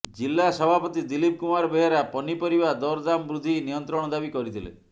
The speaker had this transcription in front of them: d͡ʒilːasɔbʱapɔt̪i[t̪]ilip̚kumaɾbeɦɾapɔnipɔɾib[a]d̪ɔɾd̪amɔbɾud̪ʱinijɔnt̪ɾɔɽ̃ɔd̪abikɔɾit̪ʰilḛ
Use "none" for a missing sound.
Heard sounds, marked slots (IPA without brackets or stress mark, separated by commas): d̪, a